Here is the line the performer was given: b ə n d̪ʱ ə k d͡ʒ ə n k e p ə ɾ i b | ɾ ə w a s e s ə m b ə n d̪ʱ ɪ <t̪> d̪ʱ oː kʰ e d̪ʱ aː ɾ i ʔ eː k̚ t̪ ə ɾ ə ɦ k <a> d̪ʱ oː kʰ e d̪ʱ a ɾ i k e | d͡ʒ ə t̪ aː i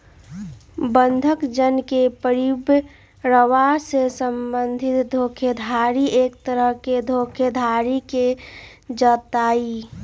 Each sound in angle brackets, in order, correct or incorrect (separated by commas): correct, incorrect